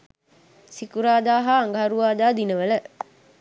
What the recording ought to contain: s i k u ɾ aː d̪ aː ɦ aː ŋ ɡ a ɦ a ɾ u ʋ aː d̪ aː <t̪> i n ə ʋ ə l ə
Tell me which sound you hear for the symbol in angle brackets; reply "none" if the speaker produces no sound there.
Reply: d̪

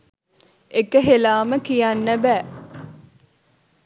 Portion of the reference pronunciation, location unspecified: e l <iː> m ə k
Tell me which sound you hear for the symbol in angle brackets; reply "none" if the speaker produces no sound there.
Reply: aː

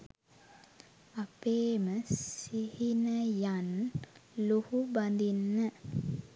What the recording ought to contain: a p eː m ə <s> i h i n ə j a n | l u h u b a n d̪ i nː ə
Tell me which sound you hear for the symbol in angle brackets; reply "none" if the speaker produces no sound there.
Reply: s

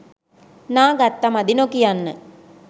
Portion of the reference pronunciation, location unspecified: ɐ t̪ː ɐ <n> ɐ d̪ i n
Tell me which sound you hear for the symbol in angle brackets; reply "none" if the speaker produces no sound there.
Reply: m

